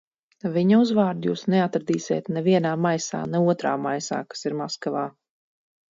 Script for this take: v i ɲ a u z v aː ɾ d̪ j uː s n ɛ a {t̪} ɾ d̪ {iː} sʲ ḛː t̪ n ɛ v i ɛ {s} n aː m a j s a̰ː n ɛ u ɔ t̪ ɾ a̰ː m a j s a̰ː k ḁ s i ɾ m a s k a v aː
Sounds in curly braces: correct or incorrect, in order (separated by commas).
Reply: correct, correct, incorrect